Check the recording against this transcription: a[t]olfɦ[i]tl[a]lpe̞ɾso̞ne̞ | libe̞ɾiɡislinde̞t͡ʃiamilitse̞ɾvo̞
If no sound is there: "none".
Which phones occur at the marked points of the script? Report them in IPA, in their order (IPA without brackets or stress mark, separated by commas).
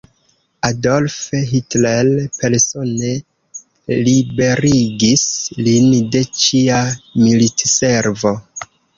d, i, e